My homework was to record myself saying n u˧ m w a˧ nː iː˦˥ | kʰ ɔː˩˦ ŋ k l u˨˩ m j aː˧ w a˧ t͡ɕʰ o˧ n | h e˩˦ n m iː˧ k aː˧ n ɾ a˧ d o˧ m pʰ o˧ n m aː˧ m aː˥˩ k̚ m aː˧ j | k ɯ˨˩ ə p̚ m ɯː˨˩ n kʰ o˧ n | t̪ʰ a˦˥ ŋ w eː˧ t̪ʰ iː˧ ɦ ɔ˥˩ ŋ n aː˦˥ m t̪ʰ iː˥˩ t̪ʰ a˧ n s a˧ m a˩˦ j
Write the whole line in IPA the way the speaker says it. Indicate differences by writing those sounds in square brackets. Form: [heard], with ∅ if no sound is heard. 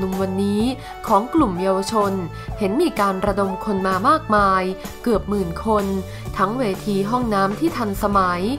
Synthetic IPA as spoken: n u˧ m w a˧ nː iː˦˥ | kʰ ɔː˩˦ ŋ k l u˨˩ m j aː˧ w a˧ t͡ɕʰ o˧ n | h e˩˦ n m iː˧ k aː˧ n ɾ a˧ d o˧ m [kʰ] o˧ n m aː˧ m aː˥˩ k̚ m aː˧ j | k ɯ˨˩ ə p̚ m ɯː˨˩ n kʰ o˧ n | t̪ʰ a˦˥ ŋ w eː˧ t̪ʰ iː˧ ɦ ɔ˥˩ ŋ n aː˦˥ m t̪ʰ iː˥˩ t̪ʰ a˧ n s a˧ m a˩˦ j